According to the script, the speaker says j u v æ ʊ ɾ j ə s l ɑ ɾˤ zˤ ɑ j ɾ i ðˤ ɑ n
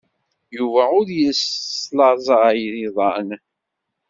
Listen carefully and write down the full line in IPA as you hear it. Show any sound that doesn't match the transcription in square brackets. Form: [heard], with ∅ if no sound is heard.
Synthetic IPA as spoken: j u v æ ʊ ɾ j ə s l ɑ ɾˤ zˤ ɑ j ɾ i ðˤ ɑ n